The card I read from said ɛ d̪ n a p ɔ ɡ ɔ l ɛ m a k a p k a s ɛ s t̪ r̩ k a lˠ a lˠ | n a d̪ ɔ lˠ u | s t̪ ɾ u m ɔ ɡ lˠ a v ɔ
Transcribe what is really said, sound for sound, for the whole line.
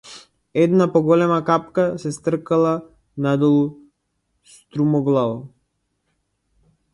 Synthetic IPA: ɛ d̪ n a p ɔ ɡ ɔ l ɛ m a k a p k a s ɛ s t̪ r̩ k a lˠ a | n a d̪ ɔ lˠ u | s t̪ ɾ u m ɔ ɡ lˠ a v ɔ